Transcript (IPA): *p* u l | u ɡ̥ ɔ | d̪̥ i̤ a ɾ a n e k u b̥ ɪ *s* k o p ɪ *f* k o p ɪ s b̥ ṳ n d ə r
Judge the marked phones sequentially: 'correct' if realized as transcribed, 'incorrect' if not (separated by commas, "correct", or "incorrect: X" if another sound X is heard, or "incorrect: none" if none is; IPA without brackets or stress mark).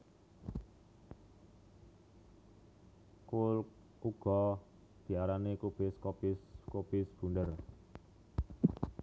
incorrect: k, correct, incorrect: s